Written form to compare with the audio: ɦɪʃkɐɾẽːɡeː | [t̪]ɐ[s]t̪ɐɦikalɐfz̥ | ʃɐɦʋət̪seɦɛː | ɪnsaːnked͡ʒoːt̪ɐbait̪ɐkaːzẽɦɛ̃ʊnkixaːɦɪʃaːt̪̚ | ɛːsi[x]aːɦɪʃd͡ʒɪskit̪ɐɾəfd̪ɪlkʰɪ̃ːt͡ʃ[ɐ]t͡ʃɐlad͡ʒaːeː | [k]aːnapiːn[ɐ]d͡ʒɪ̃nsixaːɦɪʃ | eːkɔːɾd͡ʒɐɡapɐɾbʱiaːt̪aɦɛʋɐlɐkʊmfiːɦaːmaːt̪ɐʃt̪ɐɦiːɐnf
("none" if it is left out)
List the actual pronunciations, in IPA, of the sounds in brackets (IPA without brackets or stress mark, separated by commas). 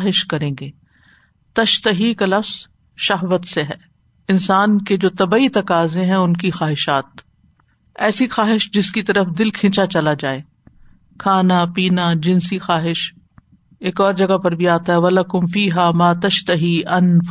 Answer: t̪, ʃ, x, a, kʰ, a